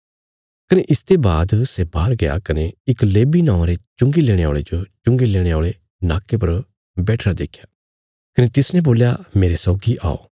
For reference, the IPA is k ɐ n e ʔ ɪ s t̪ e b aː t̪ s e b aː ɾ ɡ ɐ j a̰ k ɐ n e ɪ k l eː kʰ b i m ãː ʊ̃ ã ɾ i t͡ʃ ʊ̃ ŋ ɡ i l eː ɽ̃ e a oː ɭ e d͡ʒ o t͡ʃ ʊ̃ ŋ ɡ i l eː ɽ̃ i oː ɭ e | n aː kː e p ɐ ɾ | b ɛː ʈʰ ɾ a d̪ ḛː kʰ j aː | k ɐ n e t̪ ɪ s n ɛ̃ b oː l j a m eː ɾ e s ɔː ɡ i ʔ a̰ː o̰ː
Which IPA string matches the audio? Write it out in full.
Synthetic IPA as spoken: k ɐ n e ʔ ɪ s t̪ e b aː d̪ s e b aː ɾ ɡ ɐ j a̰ k ɐ n e ɪ k l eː b i n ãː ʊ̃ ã ɾ e t͡ʃ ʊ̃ ŋ ɡ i l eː ɽ̃ e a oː ɭ e d͡ʒ o t͡ʃ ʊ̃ ŋ ɡ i l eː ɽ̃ e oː ɭ e | n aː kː e p ɐ ɾ | b ɛː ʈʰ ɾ a d̪ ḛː kʰ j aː | k ɐ n e t̪ ɪ s n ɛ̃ b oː l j a m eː ɾ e s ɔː ɡ i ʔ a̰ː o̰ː